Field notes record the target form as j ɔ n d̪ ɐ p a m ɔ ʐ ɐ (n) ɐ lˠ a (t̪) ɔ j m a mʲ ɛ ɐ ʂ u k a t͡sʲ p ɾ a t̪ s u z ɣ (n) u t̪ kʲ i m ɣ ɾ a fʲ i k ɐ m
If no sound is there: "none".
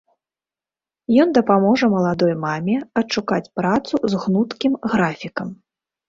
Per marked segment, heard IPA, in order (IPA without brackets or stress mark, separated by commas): m, d̪, n